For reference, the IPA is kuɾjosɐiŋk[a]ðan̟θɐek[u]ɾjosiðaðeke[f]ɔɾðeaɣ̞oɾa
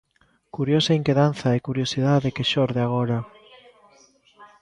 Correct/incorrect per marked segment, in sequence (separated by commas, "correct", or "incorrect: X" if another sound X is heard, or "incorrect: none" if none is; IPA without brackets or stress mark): incorrect: e, correct, incorrect: ʃ